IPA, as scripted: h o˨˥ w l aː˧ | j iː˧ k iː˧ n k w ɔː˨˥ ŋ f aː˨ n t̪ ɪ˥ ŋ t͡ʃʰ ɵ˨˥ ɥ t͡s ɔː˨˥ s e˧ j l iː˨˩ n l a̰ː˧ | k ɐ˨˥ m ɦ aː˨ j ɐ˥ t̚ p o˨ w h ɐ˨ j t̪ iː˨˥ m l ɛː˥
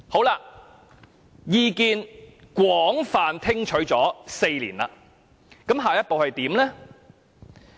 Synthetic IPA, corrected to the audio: h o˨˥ w l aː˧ | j iː˧ k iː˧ n k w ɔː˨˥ ŋ f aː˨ n t̪ʰ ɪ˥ ŋ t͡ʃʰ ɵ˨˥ ɥ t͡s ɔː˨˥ s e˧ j l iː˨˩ n l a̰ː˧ | k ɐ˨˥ m ɦ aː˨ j ɐ˥ t̚ p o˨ w h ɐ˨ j t̪ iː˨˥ m l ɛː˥